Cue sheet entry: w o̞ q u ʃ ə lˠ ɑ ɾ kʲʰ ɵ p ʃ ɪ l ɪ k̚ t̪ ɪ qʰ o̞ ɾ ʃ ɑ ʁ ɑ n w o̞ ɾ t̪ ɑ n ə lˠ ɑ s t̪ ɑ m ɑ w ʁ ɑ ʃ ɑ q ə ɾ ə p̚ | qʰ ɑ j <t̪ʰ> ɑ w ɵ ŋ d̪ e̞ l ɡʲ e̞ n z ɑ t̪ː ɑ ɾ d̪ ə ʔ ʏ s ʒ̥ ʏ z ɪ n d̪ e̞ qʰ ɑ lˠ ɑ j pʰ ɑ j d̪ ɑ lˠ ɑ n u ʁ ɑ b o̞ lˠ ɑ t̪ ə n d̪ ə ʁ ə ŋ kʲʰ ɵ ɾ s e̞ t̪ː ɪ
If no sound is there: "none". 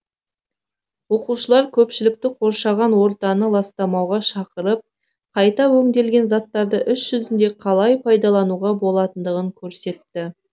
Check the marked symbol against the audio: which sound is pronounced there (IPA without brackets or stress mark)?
t̪